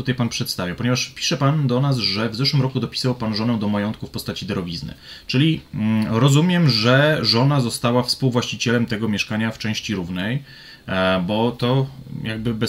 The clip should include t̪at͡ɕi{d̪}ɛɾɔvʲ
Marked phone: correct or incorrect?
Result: correct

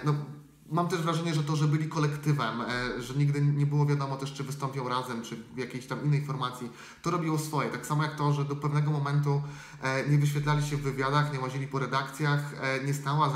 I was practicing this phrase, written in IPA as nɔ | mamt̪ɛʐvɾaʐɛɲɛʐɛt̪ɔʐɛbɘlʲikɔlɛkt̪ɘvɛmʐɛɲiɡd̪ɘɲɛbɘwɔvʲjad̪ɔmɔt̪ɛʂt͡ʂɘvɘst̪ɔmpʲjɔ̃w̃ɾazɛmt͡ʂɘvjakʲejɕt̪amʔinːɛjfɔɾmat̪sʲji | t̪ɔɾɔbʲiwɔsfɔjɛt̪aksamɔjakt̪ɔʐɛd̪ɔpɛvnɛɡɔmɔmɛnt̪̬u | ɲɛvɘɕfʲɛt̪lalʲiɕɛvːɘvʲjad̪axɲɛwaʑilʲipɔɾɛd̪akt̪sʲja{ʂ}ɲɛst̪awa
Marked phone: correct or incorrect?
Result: incorrect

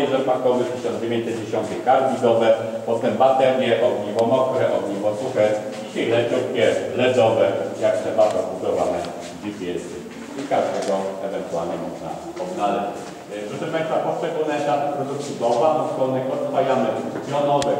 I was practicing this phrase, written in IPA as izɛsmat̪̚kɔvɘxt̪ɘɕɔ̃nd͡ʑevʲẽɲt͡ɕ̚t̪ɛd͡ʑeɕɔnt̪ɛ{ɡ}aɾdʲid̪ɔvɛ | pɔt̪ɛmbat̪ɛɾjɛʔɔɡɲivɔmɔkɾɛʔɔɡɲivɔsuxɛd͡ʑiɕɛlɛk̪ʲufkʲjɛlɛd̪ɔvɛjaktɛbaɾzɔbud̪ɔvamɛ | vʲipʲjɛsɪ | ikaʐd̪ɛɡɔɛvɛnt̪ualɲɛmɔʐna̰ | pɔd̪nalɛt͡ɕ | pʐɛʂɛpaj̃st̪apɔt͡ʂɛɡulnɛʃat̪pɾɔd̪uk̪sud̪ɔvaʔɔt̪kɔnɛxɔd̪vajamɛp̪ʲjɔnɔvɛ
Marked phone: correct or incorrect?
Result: incorrect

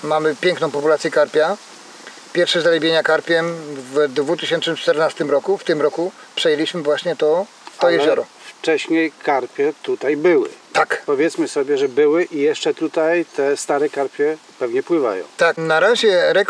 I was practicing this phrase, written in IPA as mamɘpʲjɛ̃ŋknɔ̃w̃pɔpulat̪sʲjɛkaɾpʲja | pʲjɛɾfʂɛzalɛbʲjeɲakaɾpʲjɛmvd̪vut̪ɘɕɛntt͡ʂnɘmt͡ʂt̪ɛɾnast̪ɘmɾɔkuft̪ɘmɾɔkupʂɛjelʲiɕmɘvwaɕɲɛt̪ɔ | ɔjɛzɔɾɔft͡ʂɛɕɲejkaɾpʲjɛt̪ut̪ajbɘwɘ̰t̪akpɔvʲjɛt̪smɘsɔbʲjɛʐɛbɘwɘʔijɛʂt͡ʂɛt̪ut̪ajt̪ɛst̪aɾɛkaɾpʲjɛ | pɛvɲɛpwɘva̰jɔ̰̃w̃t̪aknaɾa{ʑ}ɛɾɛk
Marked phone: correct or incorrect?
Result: correct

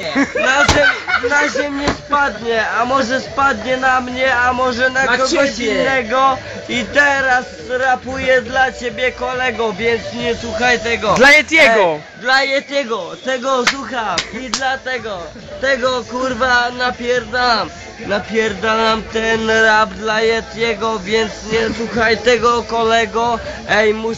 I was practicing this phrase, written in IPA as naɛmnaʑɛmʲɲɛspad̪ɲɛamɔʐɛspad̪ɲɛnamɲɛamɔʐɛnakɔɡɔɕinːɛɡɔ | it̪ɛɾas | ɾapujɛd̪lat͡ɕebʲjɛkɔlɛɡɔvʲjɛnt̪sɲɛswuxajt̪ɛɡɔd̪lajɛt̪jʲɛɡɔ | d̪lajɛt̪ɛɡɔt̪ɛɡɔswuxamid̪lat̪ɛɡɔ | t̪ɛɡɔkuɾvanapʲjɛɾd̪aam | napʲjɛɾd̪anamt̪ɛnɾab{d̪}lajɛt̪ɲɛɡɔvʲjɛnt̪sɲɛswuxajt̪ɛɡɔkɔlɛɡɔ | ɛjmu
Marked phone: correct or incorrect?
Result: correct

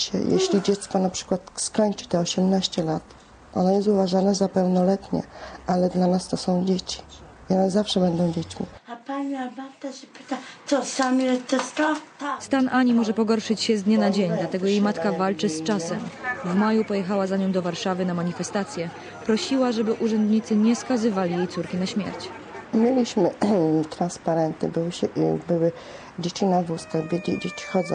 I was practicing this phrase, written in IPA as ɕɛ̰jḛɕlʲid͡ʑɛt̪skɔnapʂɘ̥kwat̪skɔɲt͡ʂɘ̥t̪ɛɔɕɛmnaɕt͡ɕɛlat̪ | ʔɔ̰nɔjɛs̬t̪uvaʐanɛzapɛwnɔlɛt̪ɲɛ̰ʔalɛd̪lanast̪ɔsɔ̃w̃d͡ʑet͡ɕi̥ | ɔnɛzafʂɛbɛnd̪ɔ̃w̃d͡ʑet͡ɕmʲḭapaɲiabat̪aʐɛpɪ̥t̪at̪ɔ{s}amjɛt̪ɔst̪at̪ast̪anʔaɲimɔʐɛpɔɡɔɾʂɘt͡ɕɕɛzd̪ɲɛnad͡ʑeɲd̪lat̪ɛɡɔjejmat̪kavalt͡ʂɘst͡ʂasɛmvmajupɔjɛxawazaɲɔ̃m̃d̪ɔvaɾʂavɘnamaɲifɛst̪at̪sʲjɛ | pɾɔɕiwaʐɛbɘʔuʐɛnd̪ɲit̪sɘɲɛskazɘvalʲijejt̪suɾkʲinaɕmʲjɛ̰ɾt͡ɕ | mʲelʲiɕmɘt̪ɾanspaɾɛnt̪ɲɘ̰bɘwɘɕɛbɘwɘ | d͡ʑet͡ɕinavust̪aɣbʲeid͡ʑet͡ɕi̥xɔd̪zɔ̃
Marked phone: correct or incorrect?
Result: correct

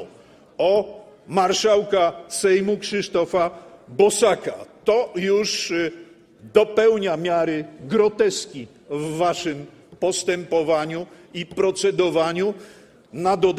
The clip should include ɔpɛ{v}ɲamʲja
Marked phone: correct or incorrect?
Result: incorrect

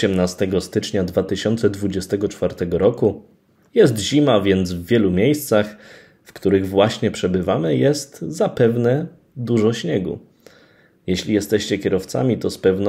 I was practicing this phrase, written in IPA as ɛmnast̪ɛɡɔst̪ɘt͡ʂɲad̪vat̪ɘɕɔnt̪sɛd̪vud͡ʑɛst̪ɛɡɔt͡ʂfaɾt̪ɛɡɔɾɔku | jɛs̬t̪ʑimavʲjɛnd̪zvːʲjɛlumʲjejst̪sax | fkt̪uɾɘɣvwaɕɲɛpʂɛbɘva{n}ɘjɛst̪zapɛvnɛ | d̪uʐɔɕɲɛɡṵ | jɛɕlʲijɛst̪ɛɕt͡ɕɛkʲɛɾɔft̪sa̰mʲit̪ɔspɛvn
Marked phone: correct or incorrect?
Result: incorrect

